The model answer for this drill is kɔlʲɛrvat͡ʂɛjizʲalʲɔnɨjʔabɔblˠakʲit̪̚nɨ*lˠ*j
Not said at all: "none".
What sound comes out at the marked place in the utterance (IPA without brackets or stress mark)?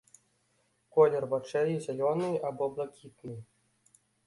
none